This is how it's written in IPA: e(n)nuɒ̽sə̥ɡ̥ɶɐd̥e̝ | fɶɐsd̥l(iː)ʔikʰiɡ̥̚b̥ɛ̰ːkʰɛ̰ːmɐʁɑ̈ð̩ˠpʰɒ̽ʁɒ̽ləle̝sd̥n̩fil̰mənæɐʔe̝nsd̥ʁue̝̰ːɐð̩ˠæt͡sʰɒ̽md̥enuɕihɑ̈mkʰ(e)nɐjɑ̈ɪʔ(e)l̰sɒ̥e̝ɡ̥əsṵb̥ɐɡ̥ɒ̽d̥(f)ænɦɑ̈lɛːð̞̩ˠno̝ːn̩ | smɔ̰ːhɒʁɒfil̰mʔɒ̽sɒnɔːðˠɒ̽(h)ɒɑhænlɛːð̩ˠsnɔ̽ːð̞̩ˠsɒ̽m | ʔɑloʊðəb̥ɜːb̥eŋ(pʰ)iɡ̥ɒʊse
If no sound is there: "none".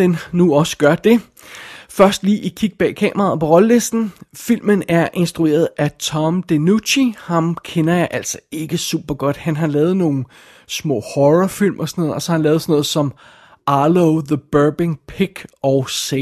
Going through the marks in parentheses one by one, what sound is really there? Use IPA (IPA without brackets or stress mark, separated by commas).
n, iː, e, æ, h, s, pʰ